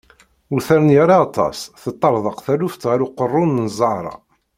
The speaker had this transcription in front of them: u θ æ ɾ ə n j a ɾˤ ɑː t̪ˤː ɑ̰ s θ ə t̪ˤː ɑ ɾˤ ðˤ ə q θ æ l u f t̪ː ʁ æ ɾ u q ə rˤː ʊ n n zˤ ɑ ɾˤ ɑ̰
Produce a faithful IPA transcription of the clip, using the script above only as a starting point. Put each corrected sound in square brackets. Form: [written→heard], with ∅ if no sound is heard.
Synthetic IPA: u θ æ ɾ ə n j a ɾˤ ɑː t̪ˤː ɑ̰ s θ ə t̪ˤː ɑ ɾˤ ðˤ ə q θ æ l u f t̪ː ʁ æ ɾ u q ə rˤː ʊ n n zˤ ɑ ɾˤ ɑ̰